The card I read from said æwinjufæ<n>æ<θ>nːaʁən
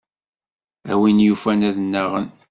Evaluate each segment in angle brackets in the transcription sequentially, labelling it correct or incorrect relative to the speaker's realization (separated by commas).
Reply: correct, incorrect